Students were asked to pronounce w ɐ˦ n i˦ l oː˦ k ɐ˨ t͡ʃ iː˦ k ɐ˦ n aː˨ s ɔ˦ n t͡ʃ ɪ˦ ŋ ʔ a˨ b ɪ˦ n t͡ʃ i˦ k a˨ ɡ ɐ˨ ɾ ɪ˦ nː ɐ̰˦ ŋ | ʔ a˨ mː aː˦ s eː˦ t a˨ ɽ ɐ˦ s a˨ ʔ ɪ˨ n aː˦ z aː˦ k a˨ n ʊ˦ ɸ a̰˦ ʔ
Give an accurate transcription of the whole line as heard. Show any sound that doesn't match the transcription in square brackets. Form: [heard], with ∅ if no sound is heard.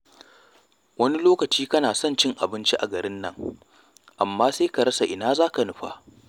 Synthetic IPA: w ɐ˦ n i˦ l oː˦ k ɐ˨ t͡ʃ iː˦ k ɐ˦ n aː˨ s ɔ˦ n t͡ʃ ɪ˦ ŋ ʔ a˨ b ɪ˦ n t͡ʃ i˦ [ʔ] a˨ ɡ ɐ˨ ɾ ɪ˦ nː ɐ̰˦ ŋ | ʔ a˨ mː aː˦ s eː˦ [k] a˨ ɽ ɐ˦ s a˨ ʔ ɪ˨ n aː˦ z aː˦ k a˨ n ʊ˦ ɸ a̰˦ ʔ